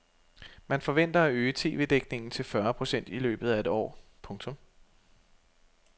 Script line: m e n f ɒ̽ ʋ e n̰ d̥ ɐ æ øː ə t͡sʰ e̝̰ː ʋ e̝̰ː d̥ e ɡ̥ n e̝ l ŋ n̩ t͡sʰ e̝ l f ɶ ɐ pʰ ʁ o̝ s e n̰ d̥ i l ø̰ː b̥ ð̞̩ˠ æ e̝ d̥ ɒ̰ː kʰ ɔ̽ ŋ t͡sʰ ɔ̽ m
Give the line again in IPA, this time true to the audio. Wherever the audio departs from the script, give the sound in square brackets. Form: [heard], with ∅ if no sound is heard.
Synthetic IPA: m [æ] n f ɒ̽ ʋ e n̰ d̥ ɐ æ øː ə t͡sʰ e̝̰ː ʋ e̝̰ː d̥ e ɡ̥ n e̝ [∅] ŋ n̩ t͡sʰ e̝ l f ɶ ɐ pʰ ʁ o̝ s e n̰ d̥ i l ø̰ː b̥ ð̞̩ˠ æ e̝ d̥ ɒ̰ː [pʰ] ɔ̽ ŋ t͡sʰ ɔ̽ m